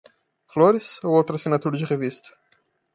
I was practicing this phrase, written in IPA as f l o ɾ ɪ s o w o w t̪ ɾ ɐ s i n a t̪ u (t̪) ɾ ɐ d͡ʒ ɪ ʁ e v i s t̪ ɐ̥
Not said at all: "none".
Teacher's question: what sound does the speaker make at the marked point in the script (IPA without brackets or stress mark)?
none